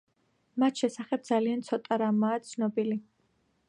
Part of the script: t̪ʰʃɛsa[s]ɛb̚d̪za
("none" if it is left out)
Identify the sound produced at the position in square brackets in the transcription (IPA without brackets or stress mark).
χ